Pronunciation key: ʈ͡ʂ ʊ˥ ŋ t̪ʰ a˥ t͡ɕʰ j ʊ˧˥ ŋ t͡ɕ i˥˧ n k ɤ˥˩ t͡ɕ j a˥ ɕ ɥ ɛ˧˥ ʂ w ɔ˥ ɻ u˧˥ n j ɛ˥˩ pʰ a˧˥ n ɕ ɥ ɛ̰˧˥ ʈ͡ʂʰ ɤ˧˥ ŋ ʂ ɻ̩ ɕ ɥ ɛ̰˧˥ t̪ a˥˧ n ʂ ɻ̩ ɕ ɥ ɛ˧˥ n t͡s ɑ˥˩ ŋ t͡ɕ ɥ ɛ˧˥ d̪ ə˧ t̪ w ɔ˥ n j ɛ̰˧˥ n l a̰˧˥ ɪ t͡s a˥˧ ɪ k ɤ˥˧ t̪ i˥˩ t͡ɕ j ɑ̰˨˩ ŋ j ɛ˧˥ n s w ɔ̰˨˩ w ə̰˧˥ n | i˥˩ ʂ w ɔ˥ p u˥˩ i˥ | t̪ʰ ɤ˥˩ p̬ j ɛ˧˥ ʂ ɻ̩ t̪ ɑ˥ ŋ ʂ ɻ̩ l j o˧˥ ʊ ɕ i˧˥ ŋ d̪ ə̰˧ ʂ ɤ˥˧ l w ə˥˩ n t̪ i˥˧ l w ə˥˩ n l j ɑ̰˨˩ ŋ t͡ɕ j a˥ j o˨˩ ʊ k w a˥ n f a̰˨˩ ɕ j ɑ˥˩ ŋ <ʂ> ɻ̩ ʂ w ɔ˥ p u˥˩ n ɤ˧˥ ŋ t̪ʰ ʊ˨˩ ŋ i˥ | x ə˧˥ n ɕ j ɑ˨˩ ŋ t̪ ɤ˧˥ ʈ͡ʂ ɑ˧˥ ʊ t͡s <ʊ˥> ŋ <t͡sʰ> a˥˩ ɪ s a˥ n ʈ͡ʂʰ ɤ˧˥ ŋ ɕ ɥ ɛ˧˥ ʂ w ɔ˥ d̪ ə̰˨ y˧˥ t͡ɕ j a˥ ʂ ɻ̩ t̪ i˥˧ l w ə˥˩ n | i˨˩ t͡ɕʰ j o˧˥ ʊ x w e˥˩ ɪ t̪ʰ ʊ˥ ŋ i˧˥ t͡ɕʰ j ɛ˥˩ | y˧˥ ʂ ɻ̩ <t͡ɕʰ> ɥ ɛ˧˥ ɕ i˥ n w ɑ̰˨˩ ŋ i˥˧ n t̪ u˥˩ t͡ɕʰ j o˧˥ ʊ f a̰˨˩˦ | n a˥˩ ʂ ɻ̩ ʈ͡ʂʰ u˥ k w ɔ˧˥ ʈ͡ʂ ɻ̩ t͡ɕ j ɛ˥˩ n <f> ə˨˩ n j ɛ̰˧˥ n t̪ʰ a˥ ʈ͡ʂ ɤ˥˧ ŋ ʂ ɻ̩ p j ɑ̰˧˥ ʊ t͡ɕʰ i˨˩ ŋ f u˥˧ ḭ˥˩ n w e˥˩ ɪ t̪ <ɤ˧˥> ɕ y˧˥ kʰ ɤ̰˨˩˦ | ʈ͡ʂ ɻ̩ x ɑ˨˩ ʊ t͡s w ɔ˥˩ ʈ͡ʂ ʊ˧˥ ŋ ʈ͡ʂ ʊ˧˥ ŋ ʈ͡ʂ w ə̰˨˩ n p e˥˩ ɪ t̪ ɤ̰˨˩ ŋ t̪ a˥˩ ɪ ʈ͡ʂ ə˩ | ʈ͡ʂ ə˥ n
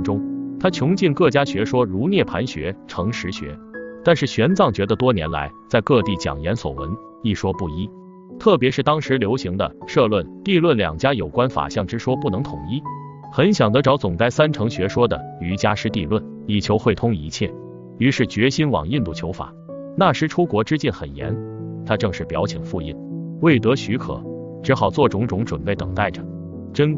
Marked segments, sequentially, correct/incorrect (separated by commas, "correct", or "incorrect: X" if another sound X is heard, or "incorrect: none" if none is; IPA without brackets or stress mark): incorrect: ʈ͡ʂ, incorrect: ʊ˨˩, incorrect: t͡s, incorrect: t͡ɕ, incorrect: x, correct